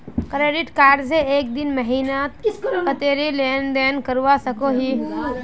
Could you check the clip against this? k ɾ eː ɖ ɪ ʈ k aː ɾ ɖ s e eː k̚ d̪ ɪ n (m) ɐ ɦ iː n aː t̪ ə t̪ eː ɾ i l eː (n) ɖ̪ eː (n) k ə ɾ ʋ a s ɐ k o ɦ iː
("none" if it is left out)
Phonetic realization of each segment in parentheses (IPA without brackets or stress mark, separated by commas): m, n, n